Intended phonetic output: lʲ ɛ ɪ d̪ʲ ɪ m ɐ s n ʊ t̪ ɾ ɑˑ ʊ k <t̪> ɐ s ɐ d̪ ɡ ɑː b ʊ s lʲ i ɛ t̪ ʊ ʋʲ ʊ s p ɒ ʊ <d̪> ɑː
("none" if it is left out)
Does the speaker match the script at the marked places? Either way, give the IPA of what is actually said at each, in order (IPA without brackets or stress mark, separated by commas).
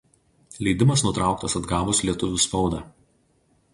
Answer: t̪, d̪